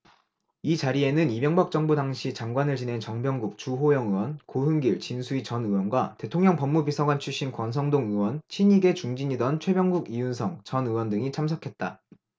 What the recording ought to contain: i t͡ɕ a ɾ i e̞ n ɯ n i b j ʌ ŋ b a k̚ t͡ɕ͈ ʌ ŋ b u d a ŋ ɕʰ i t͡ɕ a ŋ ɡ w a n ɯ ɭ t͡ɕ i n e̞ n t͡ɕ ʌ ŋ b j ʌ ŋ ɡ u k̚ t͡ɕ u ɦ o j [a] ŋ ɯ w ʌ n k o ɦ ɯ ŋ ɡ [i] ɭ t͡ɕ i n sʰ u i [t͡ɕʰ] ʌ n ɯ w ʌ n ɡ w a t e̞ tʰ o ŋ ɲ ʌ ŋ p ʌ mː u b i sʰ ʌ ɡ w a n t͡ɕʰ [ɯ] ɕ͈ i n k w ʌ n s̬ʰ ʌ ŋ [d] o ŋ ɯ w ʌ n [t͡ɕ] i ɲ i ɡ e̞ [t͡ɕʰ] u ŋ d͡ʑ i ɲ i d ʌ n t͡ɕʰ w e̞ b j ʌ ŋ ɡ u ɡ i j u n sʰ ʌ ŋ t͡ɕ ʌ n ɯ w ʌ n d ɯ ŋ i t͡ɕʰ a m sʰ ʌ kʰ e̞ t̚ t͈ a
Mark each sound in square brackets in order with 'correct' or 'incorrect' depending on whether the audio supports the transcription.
incorrect, correct, incorrect, incorrect, correct, incorrect, incorrect

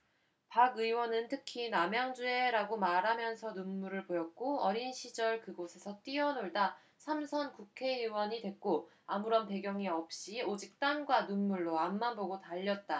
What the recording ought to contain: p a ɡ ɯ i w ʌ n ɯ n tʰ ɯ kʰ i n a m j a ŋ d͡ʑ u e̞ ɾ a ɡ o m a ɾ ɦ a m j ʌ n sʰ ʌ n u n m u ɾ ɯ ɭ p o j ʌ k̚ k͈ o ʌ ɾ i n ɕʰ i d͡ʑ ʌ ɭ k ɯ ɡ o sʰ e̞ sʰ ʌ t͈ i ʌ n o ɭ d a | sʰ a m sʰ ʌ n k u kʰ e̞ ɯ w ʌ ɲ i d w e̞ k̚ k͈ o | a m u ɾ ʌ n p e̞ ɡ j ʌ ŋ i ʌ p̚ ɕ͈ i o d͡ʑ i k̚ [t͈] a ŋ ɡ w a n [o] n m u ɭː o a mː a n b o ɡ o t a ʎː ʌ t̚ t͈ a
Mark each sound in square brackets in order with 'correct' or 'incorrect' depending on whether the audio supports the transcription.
correct, incorrect

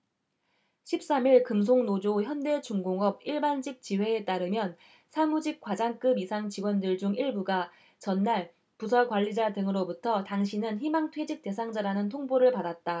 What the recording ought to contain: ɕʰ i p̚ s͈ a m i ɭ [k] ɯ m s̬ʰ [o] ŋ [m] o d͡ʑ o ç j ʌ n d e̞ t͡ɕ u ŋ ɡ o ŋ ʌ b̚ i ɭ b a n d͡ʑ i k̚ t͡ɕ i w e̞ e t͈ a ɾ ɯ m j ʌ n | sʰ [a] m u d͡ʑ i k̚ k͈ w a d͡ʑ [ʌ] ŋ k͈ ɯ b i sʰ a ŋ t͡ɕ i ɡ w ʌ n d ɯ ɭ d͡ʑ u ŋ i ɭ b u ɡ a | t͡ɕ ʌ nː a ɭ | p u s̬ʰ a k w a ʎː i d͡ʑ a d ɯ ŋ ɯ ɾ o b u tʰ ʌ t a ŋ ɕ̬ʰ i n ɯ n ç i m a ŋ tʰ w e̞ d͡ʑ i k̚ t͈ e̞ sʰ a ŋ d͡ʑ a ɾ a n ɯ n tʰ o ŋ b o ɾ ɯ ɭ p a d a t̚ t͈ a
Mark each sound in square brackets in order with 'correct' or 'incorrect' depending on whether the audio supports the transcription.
correct, correct, incorrect, correct, incorrect

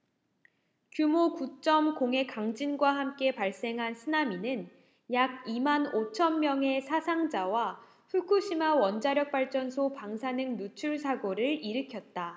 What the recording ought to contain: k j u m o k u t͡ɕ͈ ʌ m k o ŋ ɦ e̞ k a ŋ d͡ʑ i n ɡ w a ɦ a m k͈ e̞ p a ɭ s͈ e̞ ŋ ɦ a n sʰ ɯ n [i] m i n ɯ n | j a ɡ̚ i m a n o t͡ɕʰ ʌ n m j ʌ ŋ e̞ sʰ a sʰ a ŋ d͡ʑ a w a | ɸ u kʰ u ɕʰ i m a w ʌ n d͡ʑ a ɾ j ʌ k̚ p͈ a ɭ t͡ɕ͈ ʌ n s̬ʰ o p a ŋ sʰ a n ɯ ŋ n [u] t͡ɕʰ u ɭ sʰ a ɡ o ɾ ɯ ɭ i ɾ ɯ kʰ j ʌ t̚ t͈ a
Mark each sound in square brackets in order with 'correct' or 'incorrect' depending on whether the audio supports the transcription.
incorrect, correct

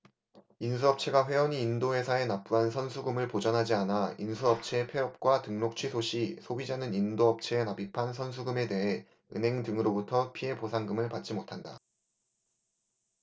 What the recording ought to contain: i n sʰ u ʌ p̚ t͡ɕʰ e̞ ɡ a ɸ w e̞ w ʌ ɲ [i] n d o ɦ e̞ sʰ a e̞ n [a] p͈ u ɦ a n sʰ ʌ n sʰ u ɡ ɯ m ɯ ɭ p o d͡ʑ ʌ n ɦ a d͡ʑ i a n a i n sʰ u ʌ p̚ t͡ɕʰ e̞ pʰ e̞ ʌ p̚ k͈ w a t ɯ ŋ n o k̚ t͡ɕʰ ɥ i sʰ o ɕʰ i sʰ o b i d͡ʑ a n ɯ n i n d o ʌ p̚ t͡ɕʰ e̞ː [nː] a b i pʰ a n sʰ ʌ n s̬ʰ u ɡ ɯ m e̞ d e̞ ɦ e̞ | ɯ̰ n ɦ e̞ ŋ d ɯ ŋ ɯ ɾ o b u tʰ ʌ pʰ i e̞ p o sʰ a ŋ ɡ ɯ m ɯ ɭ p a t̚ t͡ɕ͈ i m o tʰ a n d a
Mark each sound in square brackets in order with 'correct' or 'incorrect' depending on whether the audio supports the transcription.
incorrect, correct, incorrect

